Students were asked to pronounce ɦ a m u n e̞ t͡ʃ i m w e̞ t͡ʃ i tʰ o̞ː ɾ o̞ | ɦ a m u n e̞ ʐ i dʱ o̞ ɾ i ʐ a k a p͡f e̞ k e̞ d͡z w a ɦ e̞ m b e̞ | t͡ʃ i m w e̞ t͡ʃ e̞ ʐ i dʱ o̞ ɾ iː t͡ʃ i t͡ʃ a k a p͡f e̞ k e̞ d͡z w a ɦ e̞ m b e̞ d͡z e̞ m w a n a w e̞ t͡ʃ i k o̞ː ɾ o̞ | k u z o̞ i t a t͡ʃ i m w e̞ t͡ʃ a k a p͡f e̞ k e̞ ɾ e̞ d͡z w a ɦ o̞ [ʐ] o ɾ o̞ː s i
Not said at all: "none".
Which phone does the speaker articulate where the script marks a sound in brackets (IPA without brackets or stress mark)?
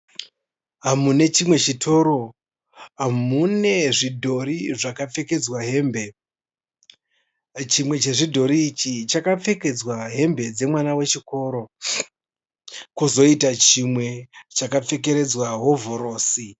v